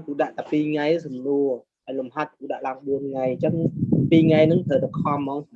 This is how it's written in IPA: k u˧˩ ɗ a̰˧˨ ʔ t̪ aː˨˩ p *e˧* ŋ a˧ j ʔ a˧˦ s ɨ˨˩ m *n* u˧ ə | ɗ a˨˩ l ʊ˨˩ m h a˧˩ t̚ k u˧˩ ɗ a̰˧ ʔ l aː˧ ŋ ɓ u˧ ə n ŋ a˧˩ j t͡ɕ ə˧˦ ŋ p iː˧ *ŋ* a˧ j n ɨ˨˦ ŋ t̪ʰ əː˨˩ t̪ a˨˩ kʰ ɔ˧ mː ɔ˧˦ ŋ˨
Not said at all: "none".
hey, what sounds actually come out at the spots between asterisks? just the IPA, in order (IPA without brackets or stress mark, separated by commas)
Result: i˧, n, ŋ